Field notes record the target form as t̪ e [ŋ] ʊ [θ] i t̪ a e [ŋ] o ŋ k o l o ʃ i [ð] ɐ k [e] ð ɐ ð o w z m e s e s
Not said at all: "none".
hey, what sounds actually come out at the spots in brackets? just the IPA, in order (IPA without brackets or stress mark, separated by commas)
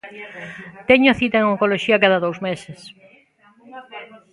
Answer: ɲ, θ, ŋ, none, a